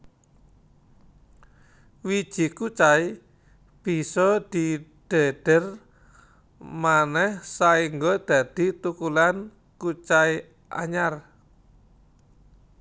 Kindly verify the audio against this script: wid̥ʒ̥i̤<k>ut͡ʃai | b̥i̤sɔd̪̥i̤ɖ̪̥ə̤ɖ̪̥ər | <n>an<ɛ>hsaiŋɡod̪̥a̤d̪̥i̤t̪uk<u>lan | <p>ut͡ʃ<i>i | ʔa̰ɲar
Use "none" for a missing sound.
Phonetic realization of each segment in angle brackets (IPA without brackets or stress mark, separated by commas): k, m, ɛ, u, k, a